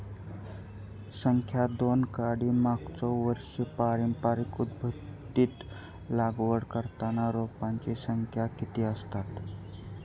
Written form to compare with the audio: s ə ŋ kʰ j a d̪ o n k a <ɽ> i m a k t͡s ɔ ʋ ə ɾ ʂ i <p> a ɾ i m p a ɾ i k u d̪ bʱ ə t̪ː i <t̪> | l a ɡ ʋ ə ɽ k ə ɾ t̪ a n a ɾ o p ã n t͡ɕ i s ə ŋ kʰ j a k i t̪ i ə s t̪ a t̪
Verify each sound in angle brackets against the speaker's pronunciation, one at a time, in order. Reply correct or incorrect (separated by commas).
correct, correct, correct